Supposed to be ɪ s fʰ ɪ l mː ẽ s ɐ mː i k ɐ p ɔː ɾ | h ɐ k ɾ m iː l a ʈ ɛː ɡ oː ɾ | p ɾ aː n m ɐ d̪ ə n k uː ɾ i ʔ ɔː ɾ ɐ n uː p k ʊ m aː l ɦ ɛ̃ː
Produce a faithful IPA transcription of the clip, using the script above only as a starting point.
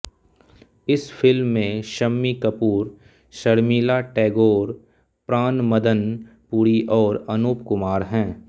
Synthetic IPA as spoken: ɪ s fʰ ɪ l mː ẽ ʃ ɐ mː i k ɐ p uː ɾ | ʃ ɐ ɾ m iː l a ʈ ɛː ɡ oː ɾ | p ɾ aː n m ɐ d̪ ə n p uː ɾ i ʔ ɔː ɾ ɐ n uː p k ʊ m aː ɾ ɦ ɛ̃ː

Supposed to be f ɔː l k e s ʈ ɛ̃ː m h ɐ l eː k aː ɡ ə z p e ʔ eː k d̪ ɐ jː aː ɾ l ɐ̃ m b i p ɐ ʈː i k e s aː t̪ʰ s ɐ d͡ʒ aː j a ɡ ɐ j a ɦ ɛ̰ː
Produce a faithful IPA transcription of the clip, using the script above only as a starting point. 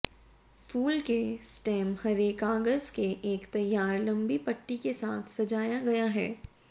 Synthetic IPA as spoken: f uː l k e s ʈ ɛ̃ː m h ɐ ɾ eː k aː ɡ ə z k e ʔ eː k t̪ ɐ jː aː ɾ l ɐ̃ m b i p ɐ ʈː i k e s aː t̪ʰ s ɐ d͡ʒ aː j a ɡ ɐ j a ɦ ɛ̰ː

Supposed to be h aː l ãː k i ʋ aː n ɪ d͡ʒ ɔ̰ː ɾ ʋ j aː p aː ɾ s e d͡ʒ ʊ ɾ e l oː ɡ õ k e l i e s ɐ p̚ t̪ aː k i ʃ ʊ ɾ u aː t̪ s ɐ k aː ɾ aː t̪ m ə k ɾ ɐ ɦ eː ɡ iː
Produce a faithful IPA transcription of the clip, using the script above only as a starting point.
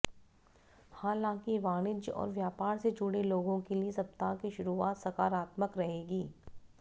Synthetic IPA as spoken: h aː l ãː k i ʋ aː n ɪ d͡ʒ ɔ̰ː ɾ ʋ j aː p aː ɾ s e d͡ʒ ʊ ɽ e l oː ɡ õ k e l i e s ɐ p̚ t̪ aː k i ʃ ʊ ɾ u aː t̪ s ɐ k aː ɾ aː t̪ m ə k ɾ ɐ ɦ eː ɡ iː

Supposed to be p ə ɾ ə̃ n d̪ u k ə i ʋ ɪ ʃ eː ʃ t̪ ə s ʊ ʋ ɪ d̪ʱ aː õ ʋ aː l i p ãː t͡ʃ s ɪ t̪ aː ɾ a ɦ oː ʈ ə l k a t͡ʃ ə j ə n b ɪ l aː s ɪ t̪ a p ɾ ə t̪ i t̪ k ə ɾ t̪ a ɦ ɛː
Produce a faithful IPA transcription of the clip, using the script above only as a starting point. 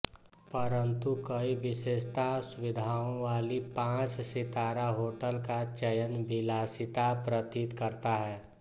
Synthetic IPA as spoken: p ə ɾ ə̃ n t̪ u k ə i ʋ ɪ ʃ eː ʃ t̪ a s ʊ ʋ ɪ d̪ʱ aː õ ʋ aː l i p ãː t͡ʃ s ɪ t̪ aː ɾ a ɦ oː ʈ ə l k a t͡ʃ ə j ə n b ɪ l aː s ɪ t̪ a p ɾ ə t̪ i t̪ k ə ɾ t̪ a ɦ ɛː

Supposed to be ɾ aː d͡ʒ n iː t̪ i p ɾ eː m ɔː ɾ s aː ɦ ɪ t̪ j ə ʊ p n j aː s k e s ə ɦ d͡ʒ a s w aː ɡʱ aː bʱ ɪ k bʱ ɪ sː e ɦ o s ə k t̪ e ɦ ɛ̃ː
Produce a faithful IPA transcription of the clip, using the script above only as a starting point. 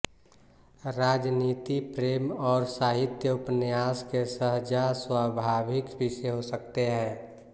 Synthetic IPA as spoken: ɾ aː d͡ʒ n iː t̪ i p ɾ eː m ɔː ɾ s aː ɦ ɪ t̪ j ə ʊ p n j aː s k e s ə ɦ d͡ʒ a s w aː bʱ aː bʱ ɪ k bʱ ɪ s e ɦ o s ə k t̪ e ɦ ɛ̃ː

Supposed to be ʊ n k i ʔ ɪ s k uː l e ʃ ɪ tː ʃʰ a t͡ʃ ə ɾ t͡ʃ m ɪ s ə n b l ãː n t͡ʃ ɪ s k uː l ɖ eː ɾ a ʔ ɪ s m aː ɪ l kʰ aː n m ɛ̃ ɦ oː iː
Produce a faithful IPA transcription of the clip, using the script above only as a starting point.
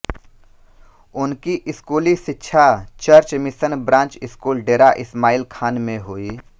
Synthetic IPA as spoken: ʊ n k i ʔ ɪ s k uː l i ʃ ɪ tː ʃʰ a t͡ʃ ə ɾ t͡ʃ m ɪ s ə n b ɾ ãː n t͡ʃ ɪ s k uː l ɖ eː ɾ a ʔ ɪ s m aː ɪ l kʰ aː n m ẽ ɦ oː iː

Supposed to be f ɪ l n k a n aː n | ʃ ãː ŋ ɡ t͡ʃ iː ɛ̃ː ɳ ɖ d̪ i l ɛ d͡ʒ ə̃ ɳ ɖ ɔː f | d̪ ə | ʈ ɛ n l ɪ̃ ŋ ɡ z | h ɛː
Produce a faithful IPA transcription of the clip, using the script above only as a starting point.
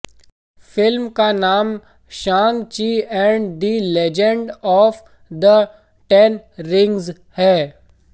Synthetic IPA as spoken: f ɪ l m k a n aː m | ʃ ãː ŋ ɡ t͡ʃ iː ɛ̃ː ɳ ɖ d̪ i l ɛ d͡ʒ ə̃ ɳ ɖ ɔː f | d̪ ə | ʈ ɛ n ɾ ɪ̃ ŋ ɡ z | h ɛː

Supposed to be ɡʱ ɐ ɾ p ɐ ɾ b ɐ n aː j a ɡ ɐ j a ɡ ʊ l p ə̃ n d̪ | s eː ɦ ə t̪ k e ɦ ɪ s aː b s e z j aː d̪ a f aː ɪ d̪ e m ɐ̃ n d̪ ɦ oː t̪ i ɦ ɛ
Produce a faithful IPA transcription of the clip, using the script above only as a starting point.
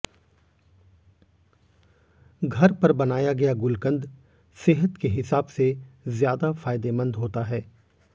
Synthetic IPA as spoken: ɡʱ ɐ ɾ p ɐ ɾ b ɐ n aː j a ɡ ɐ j a ɡ ʊ l k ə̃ n d̪ | s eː ɦ ə t̪ k e ɦ ɪ s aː b s e z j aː d̪ a f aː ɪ d̪ e m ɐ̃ n d̪ ɦ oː t̪ a ɦ ɛː

